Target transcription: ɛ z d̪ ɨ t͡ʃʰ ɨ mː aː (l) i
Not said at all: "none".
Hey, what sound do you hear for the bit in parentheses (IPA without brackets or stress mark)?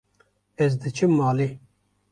l